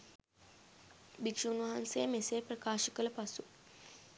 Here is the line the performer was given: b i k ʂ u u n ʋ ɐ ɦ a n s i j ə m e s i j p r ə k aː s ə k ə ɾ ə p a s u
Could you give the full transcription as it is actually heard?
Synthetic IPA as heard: b i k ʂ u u n ʋ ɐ ɦ a n s e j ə m e s e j p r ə k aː ʃ ə k ə l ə p a s u